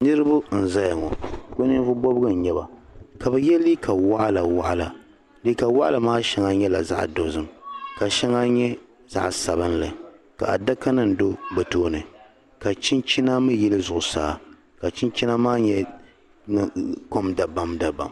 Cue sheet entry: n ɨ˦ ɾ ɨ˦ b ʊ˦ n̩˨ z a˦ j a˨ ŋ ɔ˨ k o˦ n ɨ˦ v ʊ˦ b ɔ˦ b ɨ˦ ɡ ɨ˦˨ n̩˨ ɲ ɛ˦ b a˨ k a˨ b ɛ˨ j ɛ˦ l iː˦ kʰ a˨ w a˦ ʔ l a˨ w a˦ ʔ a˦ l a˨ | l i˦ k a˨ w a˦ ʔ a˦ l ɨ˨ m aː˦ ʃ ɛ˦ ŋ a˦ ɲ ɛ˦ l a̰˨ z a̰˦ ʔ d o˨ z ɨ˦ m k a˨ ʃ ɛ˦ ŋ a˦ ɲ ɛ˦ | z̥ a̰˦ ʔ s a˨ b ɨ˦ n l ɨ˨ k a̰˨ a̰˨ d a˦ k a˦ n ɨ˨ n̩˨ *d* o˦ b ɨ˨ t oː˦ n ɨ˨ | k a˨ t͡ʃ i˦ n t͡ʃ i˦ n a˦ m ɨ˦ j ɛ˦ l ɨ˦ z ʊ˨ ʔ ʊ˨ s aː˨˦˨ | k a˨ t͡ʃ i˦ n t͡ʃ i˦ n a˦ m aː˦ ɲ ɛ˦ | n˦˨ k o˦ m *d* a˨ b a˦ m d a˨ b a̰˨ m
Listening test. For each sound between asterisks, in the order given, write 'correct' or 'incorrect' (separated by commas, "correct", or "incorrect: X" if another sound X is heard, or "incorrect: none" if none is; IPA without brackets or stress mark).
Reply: correct, correct